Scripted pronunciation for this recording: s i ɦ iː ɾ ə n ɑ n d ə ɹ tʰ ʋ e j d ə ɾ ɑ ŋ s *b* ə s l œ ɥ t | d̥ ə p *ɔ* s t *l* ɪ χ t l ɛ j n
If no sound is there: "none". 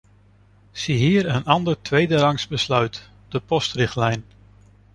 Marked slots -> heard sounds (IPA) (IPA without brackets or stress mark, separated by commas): b, ɔ, r